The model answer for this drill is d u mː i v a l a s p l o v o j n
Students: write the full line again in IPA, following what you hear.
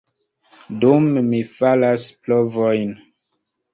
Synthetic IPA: d u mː i f a l a s p l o v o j n